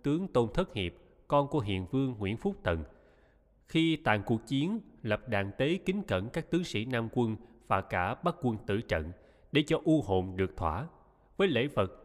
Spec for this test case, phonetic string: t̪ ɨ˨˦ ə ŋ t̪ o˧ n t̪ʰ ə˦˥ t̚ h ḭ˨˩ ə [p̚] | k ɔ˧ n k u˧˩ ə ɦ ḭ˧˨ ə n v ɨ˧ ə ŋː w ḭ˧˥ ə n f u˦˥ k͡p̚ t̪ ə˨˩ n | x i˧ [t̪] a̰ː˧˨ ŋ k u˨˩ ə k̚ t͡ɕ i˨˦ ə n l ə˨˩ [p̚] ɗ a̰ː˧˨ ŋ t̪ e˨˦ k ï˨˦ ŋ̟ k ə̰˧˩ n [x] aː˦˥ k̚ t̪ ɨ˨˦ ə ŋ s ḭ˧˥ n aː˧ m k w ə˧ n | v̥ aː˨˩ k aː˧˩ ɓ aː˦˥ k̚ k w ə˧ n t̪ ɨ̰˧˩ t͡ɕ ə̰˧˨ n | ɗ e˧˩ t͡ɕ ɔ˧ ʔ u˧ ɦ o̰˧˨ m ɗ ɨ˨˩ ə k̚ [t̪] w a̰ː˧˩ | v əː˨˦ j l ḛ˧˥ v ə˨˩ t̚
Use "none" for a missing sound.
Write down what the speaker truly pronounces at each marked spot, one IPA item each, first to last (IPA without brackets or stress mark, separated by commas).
p̚, t̪, p̚, k, t̪ʰ